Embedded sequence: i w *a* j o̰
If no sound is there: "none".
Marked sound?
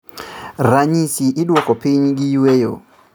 e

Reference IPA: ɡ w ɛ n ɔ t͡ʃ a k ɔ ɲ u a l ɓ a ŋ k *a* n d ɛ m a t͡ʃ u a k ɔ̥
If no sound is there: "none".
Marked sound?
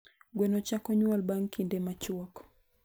i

